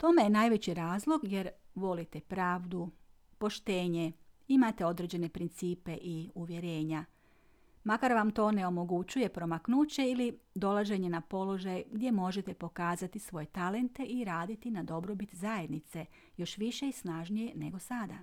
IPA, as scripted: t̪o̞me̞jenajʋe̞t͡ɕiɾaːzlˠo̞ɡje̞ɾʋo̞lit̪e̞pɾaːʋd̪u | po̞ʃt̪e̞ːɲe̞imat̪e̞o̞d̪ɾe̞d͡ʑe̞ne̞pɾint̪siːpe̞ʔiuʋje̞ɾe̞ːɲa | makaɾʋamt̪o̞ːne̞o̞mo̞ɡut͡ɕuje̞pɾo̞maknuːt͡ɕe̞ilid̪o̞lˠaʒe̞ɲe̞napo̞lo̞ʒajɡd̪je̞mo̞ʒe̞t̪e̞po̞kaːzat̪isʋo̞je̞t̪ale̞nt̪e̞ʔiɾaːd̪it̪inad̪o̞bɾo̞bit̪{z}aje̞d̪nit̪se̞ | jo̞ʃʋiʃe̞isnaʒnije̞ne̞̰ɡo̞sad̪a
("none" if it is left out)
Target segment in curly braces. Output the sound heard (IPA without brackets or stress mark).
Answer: z